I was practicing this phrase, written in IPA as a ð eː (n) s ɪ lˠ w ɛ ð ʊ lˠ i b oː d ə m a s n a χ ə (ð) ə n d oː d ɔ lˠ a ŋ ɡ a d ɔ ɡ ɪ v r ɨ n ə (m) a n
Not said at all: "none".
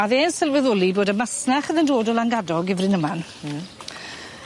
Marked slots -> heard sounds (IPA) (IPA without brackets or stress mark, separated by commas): n, ð, m